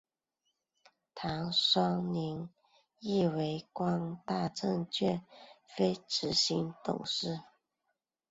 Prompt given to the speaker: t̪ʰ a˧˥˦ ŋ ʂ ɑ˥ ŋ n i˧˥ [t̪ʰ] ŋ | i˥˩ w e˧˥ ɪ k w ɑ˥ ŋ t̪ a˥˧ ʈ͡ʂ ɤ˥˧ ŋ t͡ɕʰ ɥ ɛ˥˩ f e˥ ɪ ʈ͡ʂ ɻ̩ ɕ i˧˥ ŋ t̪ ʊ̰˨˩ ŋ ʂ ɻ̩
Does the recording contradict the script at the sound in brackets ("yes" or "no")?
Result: yes